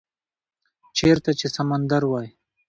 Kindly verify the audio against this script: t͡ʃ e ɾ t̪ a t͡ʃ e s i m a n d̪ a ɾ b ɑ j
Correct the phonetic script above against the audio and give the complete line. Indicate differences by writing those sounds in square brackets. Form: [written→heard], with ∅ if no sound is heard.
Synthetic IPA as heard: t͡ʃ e ɾ t̪ a t͡ʃ e s [i→a] m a n d̪ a ɾ [b→w] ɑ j